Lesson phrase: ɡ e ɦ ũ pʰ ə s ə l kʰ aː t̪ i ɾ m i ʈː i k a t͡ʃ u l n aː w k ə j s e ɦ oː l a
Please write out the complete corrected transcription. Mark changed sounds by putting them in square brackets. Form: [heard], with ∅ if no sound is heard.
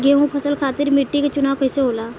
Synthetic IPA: ɡ e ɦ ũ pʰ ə s ə l kʰ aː t̪ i ɾ m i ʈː i k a t͡ʃ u [∅] n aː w k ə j s e ɦ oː l a